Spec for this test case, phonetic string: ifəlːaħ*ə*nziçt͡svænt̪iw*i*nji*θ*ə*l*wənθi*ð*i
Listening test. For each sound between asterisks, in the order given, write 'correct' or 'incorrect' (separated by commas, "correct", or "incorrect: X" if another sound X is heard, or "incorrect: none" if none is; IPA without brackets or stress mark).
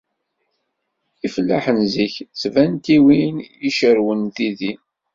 correct, correct, incorrect: ʃ, incorrect: ɾ, correct